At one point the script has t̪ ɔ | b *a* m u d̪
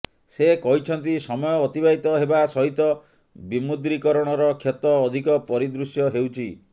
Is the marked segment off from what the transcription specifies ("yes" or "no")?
yes